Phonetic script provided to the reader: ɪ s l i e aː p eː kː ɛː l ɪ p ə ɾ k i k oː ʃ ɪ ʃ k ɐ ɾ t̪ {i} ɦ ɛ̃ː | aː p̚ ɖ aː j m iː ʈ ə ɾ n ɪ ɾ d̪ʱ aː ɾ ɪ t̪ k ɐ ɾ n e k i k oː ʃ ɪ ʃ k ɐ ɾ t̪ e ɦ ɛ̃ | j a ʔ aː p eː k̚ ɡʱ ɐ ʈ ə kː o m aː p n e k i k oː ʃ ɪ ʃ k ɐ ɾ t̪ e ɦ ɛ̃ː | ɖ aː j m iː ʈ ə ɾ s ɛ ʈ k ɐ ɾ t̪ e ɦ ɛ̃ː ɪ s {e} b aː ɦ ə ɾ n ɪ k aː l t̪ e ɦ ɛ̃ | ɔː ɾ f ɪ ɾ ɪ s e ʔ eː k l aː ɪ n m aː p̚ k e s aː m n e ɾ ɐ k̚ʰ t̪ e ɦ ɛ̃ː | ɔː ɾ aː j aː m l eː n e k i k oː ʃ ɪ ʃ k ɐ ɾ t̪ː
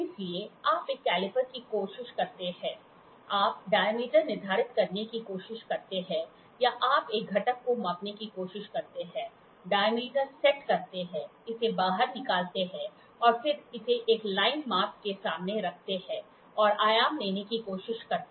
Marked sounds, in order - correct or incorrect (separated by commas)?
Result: incorrect, correct